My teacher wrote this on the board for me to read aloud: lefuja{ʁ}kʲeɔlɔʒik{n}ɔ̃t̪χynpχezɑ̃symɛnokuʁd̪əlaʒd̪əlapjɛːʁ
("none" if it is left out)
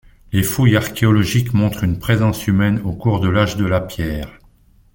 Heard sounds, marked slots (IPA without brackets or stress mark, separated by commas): ʁ, m